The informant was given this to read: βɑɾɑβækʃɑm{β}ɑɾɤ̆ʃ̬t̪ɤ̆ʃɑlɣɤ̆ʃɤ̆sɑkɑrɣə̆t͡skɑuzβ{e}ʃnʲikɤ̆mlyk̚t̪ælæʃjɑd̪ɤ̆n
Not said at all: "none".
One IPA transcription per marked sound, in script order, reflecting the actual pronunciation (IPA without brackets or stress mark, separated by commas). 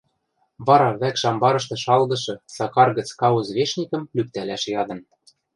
b, e